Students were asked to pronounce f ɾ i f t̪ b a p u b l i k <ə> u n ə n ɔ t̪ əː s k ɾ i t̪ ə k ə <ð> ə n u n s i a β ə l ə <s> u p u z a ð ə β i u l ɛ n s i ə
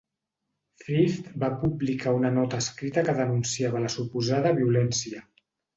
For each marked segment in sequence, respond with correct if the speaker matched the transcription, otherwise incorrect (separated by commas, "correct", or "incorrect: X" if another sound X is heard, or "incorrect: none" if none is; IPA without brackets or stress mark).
incorrect: a, correct, correct